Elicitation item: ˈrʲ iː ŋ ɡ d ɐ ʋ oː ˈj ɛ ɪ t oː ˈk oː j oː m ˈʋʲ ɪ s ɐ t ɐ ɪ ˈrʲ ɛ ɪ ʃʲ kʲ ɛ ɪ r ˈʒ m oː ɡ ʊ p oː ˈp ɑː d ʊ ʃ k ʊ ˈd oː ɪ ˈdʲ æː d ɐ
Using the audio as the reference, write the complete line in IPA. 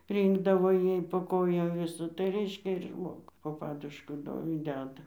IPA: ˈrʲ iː ŋ ɡ d ɐ ʋ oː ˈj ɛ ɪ p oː ˈk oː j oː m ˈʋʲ ɪ s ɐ t ɐ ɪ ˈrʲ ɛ ɪ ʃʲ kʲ ɛ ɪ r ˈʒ m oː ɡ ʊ p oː ˈp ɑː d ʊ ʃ k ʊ ˈd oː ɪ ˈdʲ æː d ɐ